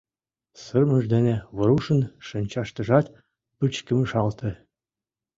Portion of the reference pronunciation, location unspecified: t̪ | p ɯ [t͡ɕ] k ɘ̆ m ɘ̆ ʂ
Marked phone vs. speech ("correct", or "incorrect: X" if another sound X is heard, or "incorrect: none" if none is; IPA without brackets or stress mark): correct